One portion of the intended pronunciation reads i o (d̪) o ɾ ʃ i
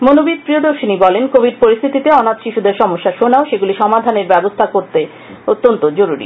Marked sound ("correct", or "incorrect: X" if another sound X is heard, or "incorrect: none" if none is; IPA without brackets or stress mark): correct